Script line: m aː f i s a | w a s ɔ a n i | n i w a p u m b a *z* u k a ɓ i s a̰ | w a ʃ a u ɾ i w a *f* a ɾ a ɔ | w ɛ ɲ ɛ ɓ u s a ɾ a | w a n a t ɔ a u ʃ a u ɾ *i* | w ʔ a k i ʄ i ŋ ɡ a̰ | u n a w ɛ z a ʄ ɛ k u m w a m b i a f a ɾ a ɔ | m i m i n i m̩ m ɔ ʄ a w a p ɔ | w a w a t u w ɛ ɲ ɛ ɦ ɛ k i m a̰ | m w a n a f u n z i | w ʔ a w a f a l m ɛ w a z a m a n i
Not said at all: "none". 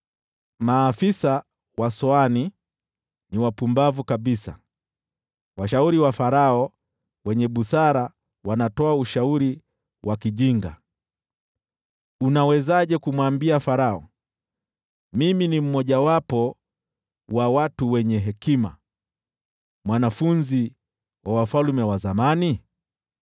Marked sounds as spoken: v, f, i

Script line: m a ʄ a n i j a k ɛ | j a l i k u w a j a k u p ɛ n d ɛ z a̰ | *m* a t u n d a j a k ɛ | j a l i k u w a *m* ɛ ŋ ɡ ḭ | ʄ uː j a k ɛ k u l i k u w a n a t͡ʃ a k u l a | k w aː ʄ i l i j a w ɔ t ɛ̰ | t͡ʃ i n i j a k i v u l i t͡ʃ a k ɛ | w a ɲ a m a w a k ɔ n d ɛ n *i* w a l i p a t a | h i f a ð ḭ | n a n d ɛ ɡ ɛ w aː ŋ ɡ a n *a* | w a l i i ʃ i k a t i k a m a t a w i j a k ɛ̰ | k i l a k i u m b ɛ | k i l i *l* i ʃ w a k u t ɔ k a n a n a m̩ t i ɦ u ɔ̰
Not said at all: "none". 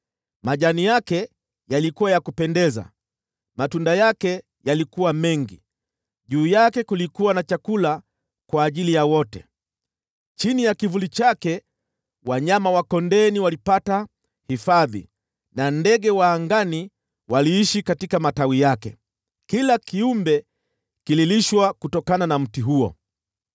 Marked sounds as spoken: m, m, i, i, l

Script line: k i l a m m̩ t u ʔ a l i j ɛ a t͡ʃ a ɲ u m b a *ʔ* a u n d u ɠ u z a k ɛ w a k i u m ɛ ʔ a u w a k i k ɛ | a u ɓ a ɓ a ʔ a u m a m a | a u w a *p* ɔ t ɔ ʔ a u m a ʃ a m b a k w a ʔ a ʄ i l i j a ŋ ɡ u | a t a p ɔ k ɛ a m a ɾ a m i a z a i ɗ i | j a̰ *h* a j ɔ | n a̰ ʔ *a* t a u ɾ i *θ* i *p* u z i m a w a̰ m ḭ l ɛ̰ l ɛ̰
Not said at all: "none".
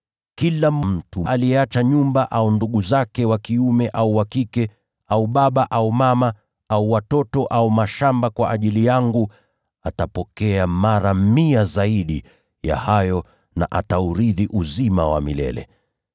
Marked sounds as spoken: ʔ, t, h, a, ð, ʔ

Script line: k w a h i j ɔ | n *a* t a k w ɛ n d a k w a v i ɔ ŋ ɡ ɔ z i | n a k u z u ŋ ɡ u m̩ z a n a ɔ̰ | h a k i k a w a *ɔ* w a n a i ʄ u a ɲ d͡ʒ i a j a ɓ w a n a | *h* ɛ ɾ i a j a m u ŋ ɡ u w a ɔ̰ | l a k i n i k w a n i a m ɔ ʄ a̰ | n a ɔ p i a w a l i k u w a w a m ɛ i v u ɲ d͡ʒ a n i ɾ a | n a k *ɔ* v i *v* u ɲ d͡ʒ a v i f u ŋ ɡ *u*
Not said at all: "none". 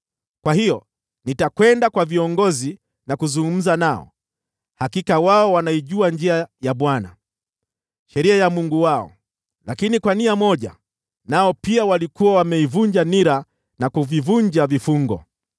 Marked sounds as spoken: i, ɔ, ʃ, u, v, ɔ

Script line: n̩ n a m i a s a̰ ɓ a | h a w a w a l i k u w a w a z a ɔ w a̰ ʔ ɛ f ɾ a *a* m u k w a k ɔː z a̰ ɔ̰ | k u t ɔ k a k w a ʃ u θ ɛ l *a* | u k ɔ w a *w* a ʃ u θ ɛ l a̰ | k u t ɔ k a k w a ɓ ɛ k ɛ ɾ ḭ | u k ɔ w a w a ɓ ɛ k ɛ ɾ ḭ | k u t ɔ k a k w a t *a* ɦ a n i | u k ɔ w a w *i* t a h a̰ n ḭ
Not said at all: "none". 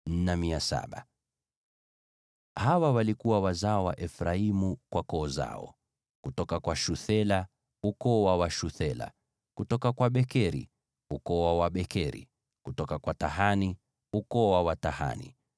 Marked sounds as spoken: i, a, w, a, a

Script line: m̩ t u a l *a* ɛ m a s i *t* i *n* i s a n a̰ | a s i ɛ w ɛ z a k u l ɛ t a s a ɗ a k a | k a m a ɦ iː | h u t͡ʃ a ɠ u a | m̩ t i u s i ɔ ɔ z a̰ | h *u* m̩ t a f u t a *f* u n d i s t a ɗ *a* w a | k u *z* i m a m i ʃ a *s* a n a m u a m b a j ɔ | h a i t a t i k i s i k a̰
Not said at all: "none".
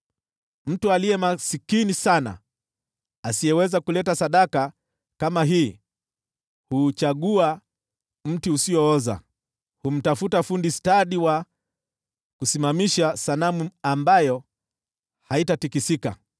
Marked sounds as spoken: i, k, n, u, f, i, s, s

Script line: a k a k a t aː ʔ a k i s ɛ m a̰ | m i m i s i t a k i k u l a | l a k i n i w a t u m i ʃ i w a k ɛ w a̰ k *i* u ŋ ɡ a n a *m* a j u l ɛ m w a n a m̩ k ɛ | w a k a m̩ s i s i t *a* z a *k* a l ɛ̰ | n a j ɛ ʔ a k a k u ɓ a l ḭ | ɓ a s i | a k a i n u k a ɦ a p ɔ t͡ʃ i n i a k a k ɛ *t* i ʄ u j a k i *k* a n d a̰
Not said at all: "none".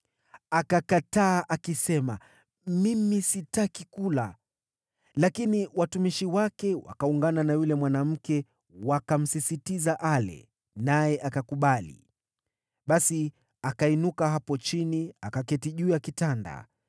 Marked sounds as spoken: a, n, i, ʔ, t, t

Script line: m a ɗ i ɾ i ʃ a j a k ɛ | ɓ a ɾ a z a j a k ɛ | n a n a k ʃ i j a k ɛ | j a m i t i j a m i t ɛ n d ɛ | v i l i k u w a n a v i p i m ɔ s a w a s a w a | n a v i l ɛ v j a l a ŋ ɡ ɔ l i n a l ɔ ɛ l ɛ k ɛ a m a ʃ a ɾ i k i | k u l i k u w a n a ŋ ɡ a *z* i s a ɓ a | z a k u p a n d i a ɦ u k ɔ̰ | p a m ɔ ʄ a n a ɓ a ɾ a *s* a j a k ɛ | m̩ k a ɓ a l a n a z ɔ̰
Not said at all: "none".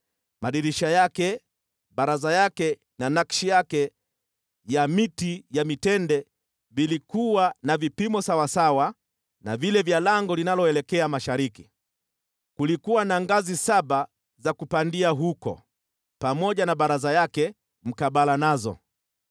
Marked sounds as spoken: z, z

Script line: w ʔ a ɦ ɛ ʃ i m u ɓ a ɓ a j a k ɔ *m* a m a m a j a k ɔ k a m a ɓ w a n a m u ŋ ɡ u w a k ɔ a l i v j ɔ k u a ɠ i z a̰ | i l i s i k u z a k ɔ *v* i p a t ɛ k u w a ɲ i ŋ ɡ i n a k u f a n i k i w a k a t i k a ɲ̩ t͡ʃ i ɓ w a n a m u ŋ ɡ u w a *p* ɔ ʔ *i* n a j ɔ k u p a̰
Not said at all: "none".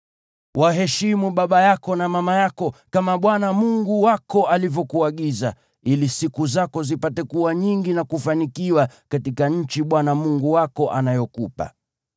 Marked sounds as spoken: n, z, k, a

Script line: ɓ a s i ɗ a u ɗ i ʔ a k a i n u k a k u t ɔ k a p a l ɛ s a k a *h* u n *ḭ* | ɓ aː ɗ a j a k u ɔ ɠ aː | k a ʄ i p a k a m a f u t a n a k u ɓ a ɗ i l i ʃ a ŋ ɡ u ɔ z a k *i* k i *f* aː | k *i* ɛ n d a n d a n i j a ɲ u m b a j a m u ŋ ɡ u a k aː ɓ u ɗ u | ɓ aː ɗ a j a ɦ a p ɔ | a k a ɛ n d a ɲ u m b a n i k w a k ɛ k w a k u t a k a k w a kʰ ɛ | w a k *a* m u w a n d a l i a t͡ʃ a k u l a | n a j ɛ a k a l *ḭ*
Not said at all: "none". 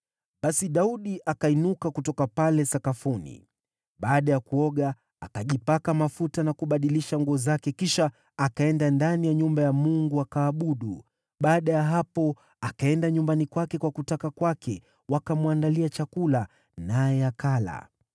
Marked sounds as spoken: f, ḭ, ɛ, ʃ, a, a, a̰

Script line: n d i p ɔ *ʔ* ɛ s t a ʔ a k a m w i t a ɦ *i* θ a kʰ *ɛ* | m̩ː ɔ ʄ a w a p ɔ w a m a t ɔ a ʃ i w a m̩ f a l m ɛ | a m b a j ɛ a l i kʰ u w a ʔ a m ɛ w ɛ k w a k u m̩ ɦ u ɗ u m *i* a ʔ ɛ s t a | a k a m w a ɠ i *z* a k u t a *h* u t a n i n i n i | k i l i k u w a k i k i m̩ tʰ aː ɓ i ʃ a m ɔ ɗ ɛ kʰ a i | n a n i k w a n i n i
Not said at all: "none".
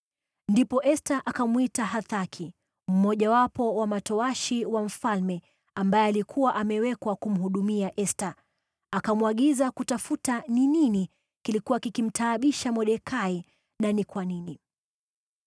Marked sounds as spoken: ʔ, a, i, i, z, f

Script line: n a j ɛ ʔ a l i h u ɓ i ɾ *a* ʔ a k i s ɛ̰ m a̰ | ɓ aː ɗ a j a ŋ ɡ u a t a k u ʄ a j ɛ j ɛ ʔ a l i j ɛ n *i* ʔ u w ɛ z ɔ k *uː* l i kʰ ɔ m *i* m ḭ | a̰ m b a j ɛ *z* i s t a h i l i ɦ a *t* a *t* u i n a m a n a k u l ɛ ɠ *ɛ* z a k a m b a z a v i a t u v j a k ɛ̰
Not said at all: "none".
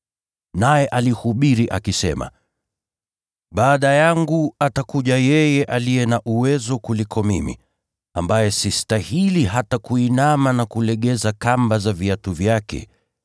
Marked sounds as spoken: i, a, u, i, s, t, k, ɛ

